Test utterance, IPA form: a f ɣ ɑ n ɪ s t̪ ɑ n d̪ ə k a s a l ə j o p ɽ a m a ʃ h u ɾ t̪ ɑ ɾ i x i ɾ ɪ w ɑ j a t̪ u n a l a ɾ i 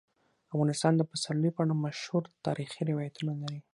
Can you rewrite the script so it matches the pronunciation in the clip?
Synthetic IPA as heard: a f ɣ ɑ n ɪ s t̪ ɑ n d̪ ə p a s a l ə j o p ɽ a m a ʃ h u ɾ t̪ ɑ ɾ i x i ɾ ɪ w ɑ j a t̪ u n a l a ɾ i